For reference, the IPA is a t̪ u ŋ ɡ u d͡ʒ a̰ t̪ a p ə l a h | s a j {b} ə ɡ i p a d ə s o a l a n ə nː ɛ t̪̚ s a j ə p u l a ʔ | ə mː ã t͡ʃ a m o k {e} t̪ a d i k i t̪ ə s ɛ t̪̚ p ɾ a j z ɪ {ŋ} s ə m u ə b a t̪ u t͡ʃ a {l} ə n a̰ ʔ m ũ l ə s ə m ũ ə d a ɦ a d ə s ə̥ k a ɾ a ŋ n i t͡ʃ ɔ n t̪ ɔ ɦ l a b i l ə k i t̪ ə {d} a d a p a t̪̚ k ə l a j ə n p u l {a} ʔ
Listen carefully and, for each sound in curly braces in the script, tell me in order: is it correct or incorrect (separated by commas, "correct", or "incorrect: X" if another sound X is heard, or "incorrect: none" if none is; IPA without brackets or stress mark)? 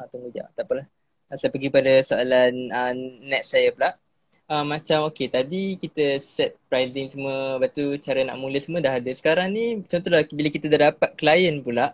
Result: incorrect: p, correct, correct, incorrect: ɾ, correct, correct